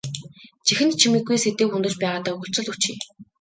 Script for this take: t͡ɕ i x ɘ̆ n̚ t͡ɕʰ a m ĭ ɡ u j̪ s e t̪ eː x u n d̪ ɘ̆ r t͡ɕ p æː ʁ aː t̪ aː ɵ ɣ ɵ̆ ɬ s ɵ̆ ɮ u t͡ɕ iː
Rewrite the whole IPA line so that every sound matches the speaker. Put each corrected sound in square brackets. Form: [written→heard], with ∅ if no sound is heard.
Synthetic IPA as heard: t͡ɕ i x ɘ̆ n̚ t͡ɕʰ [a→i] m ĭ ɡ u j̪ s e t̪ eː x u n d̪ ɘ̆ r t͡ɕ p æː ʁ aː t̪ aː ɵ ɣ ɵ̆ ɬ [s→t͡s] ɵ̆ ɮ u t͡ɕ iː